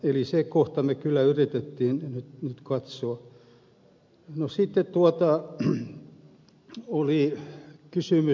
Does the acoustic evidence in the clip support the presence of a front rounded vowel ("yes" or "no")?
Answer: yes